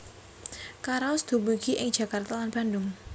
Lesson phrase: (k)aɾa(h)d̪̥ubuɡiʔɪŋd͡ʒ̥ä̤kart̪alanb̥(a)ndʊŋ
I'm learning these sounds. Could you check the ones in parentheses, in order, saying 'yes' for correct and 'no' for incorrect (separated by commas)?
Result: yes, no, yes